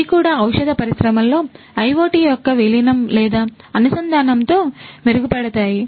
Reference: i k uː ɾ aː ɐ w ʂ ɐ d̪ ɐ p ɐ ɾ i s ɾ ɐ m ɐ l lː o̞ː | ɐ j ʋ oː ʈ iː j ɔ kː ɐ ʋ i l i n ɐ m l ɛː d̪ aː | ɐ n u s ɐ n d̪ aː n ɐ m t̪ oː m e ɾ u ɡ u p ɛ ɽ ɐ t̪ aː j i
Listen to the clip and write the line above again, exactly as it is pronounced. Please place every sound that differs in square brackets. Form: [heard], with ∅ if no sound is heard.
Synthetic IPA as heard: i k uː [ɽ] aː ɐ w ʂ ɐ d̪ ɐ p ɐ ɾ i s ɾ ɐ m ɐ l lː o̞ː | ɐ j ʋ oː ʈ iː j ɔ kː ɐ ʋ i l i n ɐ m l ɛː d̪ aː | ɐ n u s ɐ n d̪ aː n ɐ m t̪ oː m e ɾ u ɡ u p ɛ ɽ ɐ t̪ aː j i